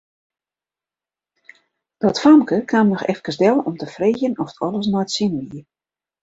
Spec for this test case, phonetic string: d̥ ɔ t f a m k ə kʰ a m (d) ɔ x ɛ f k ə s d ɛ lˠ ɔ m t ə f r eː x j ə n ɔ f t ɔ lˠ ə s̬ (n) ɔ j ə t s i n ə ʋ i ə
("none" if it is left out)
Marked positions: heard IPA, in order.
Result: n, n

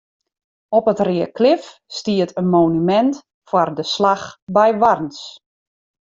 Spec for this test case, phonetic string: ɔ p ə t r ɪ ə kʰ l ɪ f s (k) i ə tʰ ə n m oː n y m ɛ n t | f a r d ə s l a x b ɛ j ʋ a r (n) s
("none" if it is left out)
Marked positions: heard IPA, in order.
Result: t, n

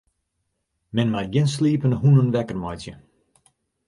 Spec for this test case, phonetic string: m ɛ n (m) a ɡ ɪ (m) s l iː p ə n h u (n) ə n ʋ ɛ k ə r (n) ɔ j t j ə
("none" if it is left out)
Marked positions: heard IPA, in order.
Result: m, n, n, m

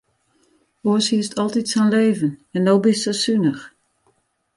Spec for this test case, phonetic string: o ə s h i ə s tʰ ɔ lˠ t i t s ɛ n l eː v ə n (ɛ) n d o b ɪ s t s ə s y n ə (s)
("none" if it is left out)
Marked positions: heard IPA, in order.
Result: ɛ, x

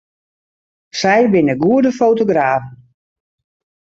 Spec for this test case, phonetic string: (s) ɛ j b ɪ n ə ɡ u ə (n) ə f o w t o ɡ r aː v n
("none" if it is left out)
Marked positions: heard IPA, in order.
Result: s, d

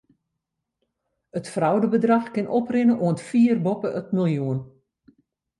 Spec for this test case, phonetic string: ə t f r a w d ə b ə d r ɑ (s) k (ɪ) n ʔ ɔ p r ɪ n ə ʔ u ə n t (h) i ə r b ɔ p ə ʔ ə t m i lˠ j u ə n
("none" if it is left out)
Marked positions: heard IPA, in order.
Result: x, ɪ, f

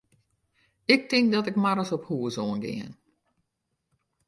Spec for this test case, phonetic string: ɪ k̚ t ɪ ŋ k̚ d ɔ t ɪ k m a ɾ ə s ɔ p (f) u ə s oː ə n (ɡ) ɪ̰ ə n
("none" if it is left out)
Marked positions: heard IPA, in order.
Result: h, ɡ

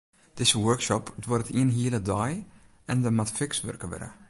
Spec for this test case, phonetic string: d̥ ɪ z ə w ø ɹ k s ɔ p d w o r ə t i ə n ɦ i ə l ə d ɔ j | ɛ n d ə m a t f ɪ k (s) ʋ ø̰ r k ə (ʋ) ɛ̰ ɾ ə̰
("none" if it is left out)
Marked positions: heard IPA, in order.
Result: s, ʋ

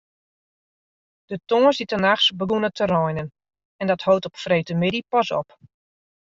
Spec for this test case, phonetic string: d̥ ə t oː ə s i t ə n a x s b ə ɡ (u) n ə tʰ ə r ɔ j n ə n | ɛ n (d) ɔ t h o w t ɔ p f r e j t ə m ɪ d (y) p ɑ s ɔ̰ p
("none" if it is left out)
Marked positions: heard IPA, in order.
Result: u, d, i

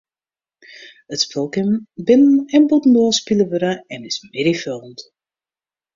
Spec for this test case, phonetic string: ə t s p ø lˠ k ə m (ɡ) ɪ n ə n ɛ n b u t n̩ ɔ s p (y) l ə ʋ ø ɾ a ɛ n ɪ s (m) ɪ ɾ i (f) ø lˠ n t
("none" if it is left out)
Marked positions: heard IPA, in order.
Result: b, i, m, f

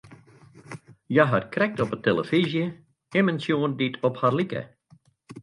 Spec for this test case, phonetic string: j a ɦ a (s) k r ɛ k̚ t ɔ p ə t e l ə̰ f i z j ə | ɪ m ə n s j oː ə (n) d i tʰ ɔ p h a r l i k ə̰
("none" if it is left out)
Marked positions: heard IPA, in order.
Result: t, n

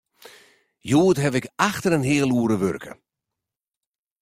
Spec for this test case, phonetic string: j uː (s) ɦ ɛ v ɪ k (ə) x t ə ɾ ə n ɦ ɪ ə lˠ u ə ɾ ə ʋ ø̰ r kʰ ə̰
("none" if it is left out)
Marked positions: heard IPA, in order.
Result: t, a

